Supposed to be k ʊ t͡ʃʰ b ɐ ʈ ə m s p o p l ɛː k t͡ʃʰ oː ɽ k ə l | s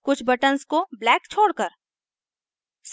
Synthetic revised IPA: k ʊ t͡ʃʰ b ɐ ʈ ə n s k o b l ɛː k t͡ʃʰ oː ɽ k ə ɾ | s